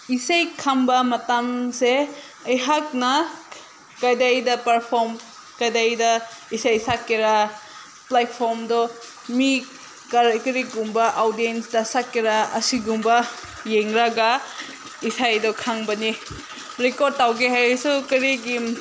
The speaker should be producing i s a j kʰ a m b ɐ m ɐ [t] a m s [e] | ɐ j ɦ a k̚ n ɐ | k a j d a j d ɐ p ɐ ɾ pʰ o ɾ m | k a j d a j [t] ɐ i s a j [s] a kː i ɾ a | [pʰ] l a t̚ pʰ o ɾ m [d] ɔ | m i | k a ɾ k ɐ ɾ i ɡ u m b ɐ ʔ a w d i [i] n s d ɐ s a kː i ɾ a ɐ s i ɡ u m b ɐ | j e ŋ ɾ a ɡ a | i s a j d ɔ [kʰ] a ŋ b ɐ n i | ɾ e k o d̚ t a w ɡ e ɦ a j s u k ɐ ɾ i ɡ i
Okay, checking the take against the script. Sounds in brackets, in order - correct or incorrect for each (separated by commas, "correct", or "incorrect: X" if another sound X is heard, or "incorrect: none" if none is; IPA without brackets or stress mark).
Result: correct, correct, incorrect: d, correct, incorrect: p, correct, incorrect: e, correct